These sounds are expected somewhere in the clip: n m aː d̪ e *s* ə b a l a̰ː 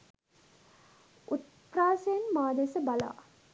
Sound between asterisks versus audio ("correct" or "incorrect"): correct